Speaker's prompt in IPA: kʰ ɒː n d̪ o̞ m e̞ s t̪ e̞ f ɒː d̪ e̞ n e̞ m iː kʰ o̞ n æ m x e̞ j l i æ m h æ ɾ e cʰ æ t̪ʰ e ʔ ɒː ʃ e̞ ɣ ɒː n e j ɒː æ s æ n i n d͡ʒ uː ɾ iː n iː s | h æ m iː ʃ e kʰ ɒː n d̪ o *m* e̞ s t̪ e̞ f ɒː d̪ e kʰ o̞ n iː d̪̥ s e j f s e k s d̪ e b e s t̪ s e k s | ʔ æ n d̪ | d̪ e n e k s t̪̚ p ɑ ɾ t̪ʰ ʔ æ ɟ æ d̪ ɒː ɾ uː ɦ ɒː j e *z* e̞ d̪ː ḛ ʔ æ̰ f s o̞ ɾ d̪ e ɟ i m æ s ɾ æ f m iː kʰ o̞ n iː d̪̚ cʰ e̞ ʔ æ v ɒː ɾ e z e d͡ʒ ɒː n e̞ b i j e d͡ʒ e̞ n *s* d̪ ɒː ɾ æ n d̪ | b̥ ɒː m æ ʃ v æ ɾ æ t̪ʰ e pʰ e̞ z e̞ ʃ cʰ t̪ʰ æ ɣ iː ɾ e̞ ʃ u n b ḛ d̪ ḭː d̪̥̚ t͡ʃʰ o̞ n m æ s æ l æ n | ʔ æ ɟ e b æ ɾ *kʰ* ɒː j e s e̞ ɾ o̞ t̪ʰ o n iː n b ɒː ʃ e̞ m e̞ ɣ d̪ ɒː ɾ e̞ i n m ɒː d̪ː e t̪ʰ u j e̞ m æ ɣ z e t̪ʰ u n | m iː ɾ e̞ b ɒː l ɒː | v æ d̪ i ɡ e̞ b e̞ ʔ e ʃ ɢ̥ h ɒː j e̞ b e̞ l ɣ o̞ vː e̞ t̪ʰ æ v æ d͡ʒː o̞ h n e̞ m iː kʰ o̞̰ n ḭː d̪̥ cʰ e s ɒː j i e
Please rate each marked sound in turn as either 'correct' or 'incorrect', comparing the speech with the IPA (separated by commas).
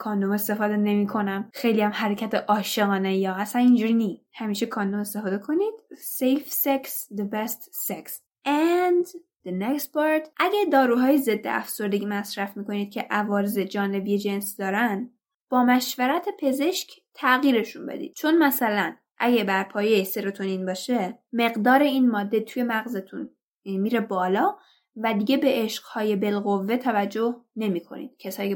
correct, correct, correct, incorrect